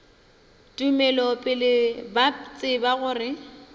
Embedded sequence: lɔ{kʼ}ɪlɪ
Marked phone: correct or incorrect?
incorrect